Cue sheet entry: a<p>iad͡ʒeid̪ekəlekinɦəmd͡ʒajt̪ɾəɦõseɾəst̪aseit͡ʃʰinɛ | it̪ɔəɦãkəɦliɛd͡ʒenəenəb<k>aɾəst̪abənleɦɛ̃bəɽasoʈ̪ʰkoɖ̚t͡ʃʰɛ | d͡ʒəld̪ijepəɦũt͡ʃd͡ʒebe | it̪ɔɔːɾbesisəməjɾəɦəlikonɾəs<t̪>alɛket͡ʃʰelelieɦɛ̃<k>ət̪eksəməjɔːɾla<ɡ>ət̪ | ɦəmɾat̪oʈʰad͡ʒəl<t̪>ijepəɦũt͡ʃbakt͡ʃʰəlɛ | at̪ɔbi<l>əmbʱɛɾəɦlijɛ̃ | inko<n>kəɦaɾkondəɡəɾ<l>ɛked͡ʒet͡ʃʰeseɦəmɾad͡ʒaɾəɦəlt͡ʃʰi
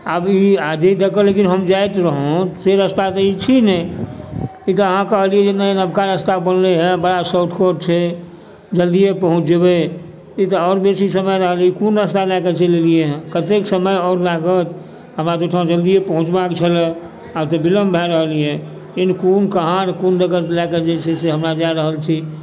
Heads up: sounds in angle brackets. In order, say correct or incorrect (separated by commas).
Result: incorrect, correct, correct, correct, correct, incorrect, correct, correct, correct